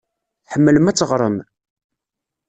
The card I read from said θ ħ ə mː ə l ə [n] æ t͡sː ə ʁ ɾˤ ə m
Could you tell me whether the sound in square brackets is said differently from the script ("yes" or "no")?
yes